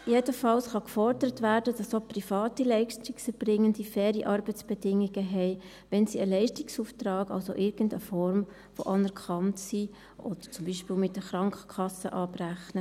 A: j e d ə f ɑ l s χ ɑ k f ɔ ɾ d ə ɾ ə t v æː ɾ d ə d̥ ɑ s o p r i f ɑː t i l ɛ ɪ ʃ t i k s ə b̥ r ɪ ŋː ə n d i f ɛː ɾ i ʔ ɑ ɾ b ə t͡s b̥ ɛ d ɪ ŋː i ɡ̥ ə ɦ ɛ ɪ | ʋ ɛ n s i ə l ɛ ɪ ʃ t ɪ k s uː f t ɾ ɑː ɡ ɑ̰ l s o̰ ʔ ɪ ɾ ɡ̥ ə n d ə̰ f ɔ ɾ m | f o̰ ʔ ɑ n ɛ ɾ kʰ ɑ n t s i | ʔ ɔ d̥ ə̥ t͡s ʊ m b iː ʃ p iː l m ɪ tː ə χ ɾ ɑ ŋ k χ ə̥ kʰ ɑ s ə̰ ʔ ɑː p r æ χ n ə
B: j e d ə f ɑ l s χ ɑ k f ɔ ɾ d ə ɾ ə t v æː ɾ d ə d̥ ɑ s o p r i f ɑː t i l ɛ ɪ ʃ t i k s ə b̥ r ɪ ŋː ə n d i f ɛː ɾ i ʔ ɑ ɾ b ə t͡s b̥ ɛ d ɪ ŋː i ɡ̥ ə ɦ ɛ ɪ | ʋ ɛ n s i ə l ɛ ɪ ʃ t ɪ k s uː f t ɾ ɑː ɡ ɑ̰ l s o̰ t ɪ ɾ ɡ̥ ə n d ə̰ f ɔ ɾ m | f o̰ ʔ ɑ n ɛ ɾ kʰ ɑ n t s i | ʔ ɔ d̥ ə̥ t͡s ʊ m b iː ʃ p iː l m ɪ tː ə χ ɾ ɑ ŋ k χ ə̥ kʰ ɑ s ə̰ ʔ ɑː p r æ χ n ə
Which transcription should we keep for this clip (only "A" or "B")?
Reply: A